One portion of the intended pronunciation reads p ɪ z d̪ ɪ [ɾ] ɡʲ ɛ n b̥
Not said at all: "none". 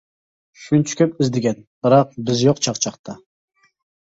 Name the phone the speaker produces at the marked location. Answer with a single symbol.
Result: none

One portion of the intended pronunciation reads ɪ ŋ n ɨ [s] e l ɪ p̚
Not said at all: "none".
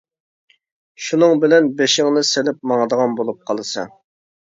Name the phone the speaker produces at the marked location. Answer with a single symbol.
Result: s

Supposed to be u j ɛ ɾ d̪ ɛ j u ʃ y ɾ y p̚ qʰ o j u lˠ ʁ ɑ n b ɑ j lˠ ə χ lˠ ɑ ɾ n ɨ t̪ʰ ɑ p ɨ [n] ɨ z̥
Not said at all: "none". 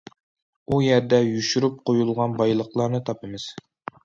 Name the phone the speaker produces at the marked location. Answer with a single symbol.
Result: m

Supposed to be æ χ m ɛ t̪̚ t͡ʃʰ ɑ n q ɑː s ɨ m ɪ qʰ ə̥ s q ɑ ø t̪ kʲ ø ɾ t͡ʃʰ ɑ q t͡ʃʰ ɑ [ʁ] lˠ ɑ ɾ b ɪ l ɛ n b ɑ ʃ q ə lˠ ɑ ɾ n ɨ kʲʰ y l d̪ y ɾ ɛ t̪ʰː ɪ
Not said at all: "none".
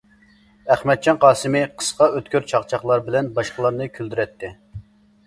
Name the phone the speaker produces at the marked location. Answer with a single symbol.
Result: χ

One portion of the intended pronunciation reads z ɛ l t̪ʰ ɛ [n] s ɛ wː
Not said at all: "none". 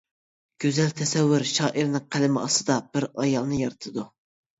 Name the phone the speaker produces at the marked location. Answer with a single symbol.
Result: none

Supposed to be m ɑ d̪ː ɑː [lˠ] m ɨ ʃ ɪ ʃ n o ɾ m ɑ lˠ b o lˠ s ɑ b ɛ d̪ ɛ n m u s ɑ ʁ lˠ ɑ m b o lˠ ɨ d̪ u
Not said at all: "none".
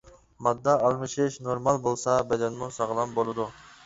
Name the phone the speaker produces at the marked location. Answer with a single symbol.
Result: lˠ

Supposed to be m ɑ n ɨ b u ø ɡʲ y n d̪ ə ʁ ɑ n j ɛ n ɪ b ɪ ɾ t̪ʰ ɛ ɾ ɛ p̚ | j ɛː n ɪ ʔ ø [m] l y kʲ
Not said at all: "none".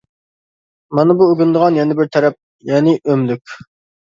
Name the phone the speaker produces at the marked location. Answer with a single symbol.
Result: m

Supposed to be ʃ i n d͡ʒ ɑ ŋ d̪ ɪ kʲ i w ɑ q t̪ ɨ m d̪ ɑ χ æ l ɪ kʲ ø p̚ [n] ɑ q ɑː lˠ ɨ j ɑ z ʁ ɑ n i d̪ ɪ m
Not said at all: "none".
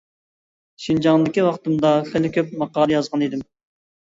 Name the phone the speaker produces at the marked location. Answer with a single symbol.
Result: m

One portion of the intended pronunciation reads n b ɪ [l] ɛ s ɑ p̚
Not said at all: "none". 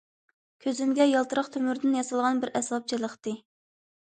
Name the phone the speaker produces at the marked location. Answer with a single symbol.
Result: ɾ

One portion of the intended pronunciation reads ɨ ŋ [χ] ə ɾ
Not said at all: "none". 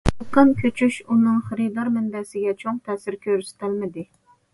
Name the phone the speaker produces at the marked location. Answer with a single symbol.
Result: χ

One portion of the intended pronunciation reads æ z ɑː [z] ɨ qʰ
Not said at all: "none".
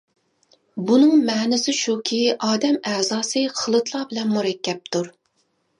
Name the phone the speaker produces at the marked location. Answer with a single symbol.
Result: s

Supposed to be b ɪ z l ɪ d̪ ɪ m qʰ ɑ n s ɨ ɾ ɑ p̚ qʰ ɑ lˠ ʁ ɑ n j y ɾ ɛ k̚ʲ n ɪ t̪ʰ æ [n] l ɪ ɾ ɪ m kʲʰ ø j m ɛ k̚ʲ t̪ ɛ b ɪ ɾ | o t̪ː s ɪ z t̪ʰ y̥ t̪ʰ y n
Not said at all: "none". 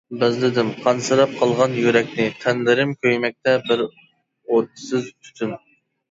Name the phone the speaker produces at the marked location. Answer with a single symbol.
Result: n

